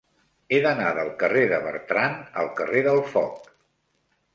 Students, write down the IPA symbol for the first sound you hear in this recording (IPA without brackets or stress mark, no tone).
e